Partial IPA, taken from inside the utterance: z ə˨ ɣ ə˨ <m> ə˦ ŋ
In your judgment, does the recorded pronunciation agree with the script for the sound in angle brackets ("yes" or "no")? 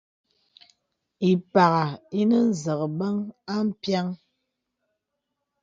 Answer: no